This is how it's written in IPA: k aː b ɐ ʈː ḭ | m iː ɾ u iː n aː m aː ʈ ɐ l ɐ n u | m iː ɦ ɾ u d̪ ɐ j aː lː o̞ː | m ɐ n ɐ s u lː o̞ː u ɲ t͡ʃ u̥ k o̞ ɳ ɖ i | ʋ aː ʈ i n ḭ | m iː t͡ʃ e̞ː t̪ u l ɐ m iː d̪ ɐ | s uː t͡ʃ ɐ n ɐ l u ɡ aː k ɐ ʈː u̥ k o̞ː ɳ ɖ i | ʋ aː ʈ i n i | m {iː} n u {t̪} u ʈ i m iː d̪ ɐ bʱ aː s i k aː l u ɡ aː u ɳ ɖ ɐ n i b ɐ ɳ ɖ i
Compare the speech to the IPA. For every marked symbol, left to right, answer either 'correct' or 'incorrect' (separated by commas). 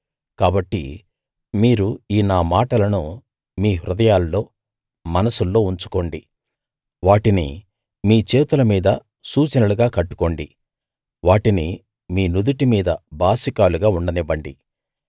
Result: correct, incorrect